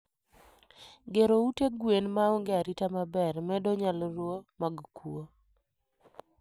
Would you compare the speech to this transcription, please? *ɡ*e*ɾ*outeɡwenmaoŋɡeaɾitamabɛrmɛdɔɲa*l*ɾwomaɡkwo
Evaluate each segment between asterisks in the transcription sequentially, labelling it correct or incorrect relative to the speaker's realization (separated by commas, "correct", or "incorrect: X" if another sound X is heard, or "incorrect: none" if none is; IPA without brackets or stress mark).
correct, correct, correct